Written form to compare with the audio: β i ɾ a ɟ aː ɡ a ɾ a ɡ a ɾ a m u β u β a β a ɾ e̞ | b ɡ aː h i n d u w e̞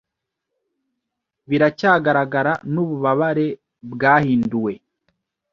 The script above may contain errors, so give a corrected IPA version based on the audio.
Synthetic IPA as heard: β i ɾ a c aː ɡ a ɾ a ɡ a ɾ a n u β u β a β a ɾ e̞ | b ɡ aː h iː n d u w e̞